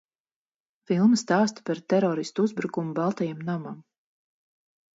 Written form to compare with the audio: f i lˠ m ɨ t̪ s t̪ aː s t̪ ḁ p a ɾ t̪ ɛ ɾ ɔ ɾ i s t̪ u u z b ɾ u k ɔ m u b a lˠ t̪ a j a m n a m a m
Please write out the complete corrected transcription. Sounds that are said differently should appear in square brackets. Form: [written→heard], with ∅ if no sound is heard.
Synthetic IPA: f i lˠ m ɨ [t̪→∅] s t̪ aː s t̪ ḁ p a ɾ t̪ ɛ ɾ ɔ ɾ i s t̪ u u z b ɾ u k [ɔ→u] m u b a lˠ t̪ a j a m n a m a m